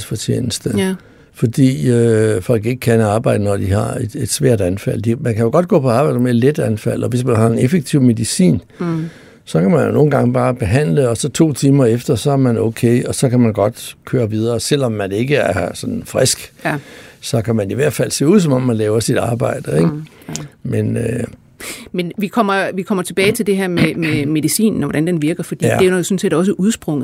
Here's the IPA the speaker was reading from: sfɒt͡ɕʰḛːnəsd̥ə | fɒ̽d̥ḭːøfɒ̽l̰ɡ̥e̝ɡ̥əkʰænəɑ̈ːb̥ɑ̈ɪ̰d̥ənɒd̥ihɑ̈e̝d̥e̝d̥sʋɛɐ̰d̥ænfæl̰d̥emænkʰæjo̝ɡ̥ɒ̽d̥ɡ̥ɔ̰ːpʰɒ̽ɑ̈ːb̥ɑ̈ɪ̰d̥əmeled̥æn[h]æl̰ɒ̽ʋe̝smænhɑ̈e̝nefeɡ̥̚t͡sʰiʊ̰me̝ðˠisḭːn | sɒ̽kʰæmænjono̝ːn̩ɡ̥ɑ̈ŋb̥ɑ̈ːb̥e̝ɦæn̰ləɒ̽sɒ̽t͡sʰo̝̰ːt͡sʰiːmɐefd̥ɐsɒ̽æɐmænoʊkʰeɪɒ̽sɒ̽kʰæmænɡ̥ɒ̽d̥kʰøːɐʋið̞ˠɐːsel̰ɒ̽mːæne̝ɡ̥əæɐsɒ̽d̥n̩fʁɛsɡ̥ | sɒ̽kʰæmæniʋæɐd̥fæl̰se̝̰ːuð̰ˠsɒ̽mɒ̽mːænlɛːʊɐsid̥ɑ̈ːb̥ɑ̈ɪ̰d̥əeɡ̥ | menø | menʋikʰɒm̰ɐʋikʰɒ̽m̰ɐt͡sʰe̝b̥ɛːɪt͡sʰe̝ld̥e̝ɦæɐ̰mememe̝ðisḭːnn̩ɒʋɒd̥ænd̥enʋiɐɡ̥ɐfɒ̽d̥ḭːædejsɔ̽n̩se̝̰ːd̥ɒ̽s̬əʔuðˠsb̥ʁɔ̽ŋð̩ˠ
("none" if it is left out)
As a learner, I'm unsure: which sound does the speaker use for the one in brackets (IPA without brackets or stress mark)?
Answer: f